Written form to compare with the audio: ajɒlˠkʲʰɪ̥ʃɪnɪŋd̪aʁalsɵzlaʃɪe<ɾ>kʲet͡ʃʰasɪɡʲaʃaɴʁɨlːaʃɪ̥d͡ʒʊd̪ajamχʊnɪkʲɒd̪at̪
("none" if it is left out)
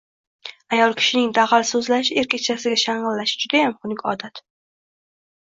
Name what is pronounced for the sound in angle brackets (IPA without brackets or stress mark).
ɾ